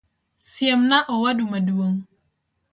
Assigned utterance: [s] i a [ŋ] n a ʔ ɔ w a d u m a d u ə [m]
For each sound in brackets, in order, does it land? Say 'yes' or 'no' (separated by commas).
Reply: yes, no, no